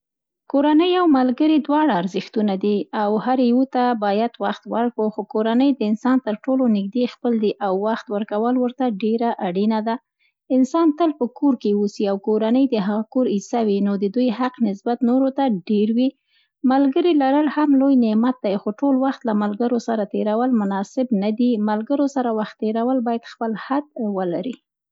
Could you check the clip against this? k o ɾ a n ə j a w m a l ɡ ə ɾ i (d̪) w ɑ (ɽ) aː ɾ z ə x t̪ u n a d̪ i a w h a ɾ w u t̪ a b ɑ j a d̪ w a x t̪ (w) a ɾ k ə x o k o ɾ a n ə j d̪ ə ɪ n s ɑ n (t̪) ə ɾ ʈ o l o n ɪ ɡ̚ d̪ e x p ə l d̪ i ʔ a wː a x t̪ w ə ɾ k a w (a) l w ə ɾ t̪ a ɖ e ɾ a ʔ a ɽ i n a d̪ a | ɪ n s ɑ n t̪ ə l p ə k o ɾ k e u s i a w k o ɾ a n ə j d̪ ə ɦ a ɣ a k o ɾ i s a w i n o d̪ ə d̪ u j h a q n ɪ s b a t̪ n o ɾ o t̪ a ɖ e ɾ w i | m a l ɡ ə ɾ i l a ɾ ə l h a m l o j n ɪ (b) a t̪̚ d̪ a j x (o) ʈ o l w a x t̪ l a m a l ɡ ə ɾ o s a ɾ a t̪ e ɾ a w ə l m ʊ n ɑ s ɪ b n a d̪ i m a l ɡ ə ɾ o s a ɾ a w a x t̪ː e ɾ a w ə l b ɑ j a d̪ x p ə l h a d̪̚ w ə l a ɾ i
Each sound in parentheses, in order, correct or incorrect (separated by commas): correct, correct, correct, correct, incorrect, incorrect, correct